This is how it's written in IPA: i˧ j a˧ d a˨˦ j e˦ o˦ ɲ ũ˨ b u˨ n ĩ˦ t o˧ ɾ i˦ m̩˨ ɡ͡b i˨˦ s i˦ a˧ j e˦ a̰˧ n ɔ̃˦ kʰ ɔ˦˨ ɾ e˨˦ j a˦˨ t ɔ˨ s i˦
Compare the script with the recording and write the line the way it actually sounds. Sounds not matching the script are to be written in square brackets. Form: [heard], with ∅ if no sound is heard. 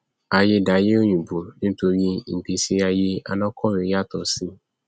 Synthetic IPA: [a˧] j [e˧] d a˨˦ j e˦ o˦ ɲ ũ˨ b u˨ n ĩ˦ t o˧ ɾ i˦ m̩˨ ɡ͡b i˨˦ s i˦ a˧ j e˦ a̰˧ n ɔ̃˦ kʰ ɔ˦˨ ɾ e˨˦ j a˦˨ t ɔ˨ s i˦